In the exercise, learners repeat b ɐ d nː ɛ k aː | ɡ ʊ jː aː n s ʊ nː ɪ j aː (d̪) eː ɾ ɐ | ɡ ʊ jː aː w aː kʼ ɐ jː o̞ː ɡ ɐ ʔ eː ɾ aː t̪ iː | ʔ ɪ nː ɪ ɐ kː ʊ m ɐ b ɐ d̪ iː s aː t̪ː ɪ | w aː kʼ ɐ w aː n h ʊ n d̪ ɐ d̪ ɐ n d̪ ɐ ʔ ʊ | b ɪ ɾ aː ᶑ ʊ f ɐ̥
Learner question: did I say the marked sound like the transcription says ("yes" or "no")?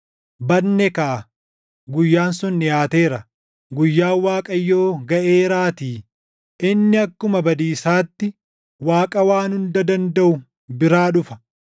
no